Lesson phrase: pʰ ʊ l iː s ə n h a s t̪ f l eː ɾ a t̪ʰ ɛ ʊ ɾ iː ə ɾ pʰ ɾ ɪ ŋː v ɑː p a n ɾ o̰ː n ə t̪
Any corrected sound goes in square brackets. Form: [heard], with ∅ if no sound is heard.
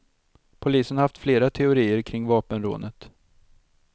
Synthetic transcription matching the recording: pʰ ʊ l iː s ə n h a [f] t̪ f l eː ɾ a t̪ʰ ɛ ʊ ɾ iː ə ɾ [kʰ] ɾ ɪ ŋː v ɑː p [ə] n ɾ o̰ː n ə t̪